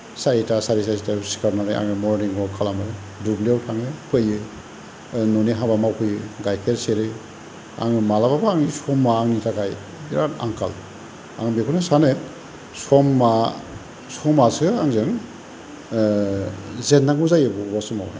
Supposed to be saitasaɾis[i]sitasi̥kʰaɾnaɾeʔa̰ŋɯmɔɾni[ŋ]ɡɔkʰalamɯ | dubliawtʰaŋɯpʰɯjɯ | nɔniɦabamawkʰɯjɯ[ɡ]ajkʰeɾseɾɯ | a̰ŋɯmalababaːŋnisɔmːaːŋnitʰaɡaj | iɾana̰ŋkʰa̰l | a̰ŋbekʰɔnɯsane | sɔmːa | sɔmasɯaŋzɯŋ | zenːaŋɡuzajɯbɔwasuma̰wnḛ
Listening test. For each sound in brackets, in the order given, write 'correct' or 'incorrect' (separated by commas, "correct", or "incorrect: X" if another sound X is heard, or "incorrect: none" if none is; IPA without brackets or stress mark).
incorrect: a, correct, correct